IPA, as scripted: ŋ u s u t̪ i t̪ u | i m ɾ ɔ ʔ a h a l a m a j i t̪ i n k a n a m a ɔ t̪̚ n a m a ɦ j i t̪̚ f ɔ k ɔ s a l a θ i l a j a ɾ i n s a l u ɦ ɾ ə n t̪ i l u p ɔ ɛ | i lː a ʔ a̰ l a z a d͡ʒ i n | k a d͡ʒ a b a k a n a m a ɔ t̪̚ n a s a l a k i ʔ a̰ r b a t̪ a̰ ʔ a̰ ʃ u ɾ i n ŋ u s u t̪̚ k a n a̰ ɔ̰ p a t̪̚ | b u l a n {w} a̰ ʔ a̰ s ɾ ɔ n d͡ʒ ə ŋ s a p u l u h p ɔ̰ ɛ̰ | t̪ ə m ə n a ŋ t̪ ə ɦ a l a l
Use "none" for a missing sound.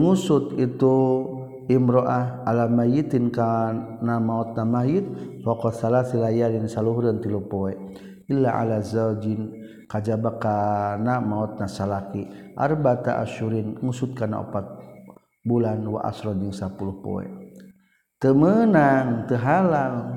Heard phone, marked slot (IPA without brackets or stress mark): w